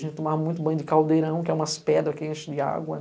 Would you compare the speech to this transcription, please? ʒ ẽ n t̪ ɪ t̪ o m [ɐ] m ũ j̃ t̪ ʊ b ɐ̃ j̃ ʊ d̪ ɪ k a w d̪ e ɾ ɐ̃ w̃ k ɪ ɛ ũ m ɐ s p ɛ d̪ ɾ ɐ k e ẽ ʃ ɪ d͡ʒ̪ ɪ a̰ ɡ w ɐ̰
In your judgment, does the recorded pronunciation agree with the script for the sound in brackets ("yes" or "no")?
no